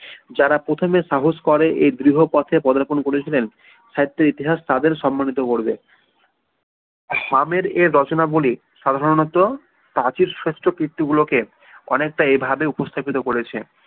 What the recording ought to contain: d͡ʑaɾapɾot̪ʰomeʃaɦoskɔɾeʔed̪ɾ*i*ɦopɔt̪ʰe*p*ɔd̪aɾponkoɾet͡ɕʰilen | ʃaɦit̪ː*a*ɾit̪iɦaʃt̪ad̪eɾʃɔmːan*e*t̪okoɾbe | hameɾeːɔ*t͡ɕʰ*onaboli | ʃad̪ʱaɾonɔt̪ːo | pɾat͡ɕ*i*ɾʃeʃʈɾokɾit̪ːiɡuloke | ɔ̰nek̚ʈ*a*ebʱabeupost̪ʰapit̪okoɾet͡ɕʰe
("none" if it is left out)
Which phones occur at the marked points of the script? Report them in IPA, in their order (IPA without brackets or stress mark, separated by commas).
i, p, e, i, t͡ɕ, i, a